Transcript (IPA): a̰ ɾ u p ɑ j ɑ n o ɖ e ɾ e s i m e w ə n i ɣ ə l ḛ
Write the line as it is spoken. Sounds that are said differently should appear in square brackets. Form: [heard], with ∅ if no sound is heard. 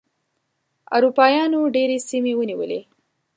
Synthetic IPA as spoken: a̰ ɾ u p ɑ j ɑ n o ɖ e ɾ e s i m e w ə n i [w] ə l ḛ